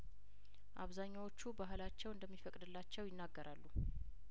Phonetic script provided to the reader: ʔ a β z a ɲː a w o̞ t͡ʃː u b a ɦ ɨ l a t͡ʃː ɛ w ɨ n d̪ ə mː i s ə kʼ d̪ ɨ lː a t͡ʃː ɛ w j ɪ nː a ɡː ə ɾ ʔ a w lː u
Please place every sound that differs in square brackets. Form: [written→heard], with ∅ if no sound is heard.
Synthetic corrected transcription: ʔ a β z a ɲː a w o̞ t͡ʃː u b a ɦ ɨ l a t͡ʃː ɛ w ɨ n d̪ ə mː i [s→f] ə kʼ d̪ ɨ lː a t͡ʃː ɛ w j ɪ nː a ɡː ə ɾ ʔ a [w→∅] lː u